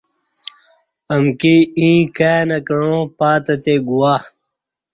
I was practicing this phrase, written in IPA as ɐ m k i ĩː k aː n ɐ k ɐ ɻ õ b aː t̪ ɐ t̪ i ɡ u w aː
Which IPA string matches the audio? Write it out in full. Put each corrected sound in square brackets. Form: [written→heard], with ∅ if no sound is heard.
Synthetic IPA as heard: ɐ m k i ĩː k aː n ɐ k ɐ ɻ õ [b→p] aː t̪ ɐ t̪ [i→e] ɡ u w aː